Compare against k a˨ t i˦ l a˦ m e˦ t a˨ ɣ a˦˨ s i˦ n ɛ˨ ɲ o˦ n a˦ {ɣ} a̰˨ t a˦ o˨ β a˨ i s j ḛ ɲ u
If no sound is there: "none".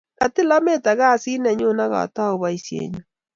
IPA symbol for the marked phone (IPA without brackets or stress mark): ɣ